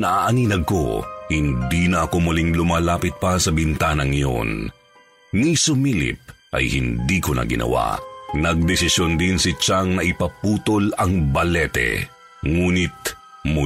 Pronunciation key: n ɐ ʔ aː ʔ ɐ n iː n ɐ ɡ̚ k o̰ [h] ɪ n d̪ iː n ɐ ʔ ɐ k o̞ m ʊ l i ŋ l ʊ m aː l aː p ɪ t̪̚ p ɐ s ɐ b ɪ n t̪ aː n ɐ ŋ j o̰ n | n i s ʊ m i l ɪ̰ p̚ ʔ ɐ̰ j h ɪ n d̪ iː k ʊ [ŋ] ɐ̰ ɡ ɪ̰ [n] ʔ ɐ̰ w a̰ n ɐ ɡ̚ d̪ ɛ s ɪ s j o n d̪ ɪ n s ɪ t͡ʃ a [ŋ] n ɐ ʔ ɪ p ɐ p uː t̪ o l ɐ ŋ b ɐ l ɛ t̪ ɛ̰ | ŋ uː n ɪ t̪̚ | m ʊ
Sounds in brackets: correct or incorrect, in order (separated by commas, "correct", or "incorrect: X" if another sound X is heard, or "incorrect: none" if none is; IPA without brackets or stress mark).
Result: correct, incorrect: n, correct, correct